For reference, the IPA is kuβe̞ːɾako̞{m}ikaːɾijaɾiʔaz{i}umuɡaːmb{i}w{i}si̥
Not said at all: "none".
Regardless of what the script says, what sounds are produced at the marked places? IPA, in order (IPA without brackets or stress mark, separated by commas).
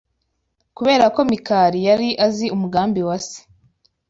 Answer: m, i, i, a